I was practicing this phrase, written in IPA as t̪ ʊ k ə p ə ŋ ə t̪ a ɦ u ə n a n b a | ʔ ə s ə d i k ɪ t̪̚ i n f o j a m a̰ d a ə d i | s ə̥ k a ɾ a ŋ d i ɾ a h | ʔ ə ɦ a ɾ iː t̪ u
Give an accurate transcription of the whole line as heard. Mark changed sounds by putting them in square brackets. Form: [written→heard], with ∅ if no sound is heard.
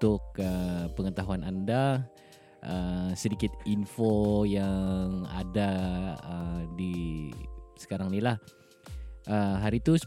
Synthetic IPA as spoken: t̪ ʊ k ə p ə ŋ ə t̪ a ɦ u [ə→a] n a n [b→d] a | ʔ ə s ə d i k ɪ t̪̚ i n f o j a [m→ŋ] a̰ d a ə d i | s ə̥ k a ɾ a ŋ [d→n] i [ɾ→l] a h | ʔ ə ɦ a ɾ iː t̪ u